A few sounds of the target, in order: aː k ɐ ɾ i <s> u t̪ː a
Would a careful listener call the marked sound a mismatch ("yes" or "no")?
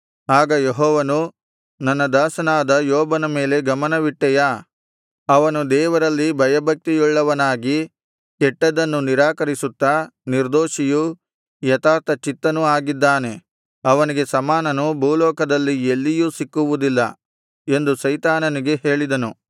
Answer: no